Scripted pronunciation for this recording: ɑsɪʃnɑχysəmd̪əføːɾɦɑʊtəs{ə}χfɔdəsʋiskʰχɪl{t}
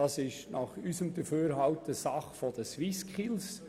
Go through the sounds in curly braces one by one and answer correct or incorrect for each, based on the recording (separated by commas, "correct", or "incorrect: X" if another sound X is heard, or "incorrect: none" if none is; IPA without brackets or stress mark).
incorrect: ɑ, incorrect: s